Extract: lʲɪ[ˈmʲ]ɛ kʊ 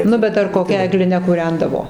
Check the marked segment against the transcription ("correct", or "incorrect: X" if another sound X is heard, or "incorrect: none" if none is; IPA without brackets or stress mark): incorrect: nʲ